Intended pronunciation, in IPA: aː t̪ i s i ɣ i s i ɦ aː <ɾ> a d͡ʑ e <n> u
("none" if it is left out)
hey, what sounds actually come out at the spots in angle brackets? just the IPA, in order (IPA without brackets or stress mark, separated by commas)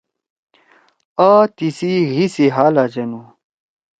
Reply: l, n